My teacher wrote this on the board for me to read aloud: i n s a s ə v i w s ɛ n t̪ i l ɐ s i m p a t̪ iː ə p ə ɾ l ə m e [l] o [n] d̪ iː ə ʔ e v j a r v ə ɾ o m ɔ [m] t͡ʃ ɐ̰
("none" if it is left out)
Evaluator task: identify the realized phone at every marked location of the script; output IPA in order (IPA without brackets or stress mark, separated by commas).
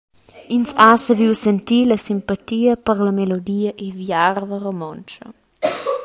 l, none, n